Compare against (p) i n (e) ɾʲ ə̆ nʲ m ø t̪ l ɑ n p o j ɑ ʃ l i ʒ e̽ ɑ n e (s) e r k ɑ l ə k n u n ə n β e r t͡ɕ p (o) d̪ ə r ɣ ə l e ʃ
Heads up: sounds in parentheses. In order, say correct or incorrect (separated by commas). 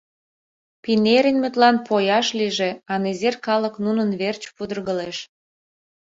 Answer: correct, correct, incorrect, incorrect